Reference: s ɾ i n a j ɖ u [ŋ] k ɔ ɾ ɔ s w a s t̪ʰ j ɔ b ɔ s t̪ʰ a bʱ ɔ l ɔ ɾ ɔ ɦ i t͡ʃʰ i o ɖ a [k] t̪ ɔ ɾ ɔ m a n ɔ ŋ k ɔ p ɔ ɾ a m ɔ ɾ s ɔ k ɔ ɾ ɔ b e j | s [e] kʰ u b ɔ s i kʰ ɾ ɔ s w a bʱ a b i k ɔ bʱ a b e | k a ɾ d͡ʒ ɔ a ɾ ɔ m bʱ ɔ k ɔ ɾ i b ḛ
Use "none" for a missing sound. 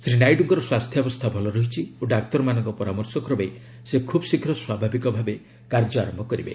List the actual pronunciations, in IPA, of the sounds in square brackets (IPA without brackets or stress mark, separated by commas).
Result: ŋ, k, e